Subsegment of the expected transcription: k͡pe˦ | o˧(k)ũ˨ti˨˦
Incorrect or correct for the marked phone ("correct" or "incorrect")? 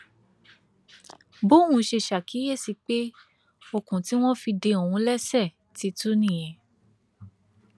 correct